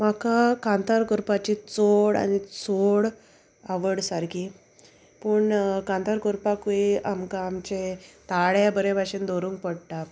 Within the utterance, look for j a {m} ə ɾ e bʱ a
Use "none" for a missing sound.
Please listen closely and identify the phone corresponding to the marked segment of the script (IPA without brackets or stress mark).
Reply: b